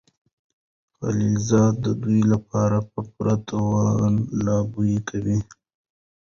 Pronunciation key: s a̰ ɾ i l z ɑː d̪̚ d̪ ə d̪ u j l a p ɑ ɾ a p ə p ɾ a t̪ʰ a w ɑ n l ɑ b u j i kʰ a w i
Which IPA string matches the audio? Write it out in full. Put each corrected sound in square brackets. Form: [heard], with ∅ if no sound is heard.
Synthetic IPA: [x] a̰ [l] i l z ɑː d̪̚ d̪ ə d̪ u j l a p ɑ ɾ a p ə p ɾ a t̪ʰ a w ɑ n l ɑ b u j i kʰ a w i